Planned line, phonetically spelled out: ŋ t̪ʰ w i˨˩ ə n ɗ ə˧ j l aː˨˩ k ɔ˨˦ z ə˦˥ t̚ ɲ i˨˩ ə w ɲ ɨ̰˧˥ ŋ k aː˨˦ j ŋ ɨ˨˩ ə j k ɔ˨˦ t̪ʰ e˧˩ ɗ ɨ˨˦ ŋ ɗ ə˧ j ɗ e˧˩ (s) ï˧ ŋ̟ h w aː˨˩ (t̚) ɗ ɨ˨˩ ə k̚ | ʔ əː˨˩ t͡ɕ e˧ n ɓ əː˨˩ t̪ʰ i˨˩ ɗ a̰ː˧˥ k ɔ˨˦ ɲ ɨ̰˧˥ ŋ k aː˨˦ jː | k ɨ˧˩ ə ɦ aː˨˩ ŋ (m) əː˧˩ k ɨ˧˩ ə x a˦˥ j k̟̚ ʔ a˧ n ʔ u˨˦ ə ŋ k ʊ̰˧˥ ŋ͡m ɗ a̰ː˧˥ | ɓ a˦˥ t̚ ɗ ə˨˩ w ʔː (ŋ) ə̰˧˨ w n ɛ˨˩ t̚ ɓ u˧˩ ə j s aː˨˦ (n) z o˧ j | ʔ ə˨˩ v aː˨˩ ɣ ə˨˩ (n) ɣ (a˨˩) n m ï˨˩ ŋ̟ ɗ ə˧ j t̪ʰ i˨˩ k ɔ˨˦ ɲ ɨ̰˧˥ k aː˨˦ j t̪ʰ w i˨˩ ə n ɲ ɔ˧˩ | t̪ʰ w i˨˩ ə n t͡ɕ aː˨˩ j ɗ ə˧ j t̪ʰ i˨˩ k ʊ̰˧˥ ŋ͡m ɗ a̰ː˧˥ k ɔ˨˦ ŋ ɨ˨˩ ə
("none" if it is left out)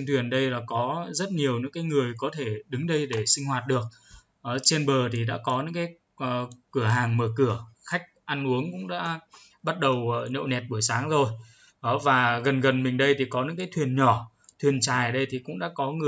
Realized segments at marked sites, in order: s, t̚, m, ɲ, ŋ, n, ə˨˩

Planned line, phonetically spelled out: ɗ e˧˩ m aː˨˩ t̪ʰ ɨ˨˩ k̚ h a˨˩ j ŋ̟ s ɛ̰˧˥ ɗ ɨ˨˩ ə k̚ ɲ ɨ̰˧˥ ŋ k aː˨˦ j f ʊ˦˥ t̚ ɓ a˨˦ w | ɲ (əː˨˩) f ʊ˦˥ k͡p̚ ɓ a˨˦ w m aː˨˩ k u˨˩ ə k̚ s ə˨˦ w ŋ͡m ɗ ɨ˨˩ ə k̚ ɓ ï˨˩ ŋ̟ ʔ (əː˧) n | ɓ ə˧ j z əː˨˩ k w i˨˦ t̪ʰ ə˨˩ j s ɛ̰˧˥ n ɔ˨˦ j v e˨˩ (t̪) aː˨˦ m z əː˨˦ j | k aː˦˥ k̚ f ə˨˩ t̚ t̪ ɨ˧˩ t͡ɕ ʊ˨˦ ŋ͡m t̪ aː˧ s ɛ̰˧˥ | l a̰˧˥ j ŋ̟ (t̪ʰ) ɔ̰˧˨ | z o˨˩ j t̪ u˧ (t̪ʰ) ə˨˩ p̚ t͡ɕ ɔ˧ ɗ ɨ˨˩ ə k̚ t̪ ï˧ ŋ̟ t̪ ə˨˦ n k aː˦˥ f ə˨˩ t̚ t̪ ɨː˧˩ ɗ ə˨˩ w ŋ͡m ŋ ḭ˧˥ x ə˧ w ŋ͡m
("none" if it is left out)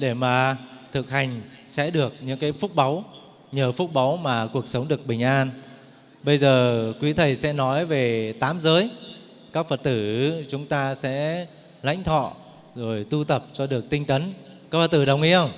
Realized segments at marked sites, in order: əː˨˩, aː˧, t̪, t̪ʰ, t̪

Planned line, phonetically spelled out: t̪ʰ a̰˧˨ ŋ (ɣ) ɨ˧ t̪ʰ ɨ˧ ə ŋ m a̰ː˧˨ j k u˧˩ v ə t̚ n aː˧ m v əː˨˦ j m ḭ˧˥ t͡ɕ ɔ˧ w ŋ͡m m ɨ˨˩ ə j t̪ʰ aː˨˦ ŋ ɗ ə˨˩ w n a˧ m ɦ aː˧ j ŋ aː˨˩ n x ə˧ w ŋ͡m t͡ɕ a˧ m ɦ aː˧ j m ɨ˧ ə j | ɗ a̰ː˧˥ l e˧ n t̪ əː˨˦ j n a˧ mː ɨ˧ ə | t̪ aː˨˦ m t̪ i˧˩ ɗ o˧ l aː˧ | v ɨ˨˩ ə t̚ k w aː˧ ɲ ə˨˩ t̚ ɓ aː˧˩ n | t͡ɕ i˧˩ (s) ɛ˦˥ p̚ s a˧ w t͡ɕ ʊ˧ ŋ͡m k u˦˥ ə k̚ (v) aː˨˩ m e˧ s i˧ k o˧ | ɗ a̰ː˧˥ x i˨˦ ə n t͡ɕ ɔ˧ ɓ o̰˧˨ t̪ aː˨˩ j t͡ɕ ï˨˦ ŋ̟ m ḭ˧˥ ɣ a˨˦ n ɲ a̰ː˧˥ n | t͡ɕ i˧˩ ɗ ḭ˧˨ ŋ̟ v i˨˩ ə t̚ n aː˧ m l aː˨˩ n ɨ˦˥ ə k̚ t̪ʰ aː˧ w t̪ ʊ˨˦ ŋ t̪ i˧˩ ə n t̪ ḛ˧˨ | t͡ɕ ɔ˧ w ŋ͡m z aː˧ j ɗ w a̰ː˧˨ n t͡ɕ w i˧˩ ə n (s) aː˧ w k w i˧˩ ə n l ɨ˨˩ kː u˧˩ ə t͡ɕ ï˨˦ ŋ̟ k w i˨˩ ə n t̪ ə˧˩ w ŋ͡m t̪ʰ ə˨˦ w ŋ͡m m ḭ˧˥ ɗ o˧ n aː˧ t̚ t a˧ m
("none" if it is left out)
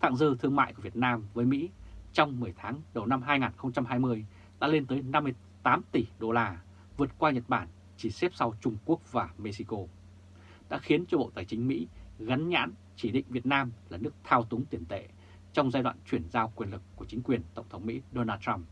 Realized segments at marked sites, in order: z, s, v, z

